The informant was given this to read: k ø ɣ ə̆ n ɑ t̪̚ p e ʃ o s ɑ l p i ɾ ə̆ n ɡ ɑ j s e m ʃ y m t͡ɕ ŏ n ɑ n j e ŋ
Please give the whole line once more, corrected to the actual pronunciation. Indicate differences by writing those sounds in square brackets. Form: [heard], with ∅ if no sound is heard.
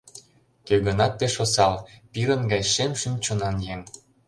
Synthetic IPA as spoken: k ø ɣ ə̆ n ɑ t̪̚ p e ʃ o s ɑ l p i ɾ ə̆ n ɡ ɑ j [ʃ] e m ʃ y m t͡ɕ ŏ n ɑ n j e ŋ